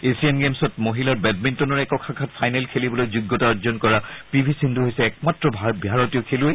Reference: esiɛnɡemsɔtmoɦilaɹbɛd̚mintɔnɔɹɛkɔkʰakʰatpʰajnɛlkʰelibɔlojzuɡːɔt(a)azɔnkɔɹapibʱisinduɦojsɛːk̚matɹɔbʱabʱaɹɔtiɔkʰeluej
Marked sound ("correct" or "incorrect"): correct